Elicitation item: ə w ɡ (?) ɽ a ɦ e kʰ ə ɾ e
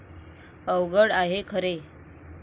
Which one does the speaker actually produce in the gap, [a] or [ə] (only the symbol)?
ə